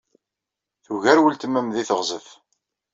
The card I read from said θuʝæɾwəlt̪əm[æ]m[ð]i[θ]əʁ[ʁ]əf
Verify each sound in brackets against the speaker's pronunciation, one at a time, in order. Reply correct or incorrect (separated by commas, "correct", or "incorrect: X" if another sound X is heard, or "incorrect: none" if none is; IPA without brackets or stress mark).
correct, correct, correct, incorrect: z